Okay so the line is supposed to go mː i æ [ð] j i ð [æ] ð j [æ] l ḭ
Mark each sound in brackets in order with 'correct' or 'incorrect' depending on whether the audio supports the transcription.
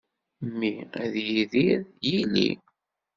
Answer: correct, incorrect, incorrect

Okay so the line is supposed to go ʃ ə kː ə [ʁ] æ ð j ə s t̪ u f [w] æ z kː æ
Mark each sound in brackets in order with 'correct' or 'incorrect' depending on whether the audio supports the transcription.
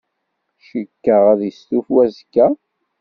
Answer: correct, correct

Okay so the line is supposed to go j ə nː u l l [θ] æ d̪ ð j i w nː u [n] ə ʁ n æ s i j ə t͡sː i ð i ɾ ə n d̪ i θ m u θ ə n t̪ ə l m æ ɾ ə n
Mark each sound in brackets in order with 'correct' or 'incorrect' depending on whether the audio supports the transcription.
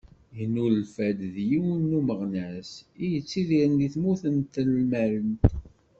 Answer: incorrect, incorrect

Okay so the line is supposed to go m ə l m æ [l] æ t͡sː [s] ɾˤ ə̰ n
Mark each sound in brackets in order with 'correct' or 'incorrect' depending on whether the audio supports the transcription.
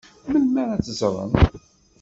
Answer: incorrect, incorrect

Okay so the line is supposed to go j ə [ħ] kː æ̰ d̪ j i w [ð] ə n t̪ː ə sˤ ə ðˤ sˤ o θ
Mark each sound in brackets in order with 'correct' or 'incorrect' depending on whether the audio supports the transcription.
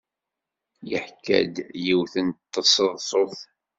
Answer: correct, incorrect

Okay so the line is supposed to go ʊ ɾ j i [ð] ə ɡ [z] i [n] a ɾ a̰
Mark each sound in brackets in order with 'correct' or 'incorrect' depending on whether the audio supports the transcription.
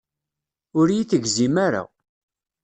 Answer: incorrect, correct, incorrect

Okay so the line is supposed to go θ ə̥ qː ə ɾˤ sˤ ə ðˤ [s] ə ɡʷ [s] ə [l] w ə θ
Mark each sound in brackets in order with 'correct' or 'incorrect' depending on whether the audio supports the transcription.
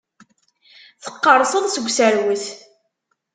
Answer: correct, correct, incorrect

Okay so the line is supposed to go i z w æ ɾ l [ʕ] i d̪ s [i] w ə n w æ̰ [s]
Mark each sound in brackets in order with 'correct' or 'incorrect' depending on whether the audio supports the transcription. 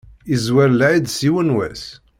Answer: correct, correct, correct

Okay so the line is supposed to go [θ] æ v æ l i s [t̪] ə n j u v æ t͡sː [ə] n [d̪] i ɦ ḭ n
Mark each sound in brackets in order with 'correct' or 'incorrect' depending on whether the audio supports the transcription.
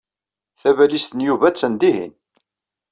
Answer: correct, correct, correct, correct

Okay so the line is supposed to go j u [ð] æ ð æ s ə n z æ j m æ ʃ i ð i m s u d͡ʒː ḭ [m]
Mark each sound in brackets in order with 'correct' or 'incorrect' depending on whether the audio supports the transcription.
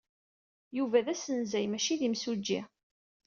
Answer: incorrect, incorrect

